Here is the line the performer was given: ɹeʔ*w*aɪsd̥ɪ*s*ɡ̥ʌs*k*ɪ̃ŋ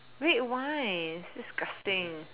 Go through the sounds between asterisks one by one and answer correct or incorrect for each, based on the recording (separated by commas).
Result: correct, correct, incorrect